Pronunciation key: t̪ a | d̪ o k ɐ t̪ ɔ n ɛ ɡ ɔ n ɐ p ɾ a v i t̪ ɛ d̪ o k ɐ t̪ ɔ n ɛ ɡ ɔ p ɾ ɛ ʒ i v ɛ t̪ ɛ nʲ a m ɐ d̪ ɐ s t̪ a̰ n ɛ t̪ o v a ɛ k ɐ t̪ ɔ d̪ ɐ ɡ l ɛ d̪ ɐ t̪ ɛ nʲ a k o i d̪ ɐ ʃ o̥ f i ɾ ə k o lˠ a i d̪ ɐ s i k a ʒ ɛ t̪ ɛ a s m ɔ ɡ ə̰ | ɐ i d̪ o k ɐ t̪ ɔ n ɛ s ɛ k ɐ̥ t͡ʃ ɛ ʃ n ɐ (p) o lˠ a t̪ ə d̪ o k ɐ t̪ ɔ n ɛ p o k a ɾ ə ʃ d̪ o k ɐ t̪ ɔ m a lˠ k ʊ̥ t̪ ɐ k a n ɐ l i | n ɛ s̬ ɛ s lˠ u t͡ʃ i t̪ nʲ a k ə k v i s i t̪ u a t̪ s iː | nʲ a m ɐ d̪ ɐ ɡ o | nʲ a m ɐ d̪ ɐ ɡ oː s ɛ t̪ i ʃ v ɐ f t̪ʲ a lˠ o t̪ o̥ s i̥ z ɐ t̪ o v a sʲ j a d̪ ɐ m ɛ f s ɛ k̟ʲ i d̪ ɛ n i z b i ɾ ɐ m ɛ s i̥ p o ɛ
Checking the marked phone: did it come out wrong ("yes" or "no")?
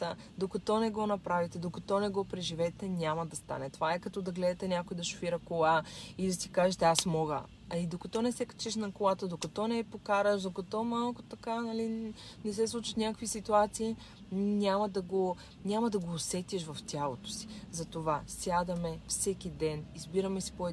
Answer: yes